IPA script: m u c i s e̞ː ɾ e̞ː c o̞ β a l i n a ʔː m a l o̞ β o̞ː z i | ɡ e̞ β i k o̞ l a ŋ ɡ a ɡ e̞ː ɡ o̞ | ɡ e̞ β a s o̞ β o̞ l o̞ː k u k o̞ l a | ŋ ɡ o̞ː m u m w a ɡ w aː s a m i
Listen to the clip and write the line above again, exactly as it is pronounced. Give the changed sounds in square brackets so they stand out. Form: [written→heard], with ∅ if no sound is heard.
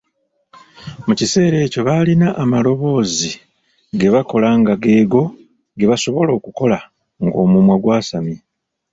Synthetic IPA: m u c i s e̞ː ɾ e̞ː c o̞ β a l i n a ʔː m a l o̞ β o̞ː z i | ɡ e̞ β [i→a] k o̞ l a ŋ ɡ a ɡ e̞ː ɡ o̞ | ɡ e̞ β a s o̞ β o̞ l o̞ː k u k o̞ l a | ŋ ɡ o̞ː m u m w a ɡ w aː s a m i